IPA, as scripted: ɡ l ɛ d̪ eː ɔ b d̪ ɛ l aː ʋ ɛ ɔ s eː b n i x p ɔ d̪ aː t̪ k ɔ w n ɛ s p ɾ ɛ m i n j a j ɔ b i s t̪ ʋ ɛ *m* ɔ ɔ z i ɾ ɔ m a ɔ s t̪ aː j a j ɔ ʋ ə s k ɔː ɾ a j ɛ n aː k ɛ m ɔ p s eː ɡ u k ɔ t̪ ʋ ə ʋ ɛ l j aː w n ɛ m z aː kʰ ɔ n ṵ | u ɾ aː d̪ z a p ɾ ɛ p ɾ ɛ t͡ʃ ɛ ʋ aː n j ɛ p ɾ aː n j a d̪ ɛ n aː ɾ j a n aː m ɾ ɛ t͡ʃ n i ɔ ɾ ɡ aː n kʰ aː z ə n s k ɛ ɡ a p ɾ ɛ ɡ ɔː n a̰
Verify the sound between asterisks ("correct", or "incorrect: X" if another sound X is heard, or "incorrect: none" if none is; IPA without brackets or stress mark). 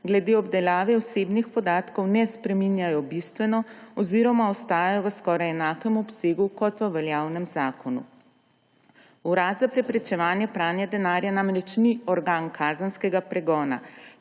incorrect: n